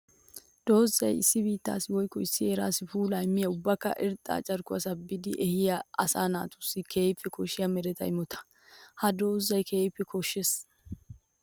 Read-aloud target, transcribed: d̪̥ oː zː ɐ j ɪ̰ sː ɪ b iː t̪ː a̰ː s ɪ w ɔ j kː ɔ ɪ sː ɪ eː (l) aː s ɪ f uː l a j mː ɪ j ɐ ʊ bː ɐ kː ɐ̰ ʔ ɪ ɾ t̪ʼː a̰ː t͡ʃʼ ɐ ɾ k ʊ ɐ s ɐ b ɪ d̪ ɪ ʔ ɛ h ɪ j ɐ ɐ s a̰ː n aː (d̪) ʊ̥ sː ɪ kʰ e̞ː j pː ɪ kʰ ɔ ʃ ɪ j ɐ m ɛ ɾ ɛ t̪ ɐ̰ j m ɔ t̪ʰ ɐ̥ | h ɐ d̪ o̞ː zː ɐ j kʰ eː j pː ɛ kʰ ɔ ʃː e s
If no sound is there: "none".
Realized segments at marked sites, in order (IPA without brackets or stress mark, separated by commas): ɾ, t̪